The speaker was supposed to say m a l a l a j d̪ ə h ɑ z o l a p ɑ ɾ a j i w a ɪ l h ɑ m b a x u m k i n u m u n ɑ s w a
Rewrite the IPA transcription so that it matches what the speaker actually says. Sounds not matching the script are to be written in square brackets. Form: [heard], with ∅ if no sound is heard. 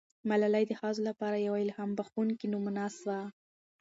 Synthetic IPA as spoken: m a l a l a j d̪ ə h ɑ z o l a p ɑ ɾ a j [a] w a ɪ l h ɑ m b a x u [n] k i n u m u n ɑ s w a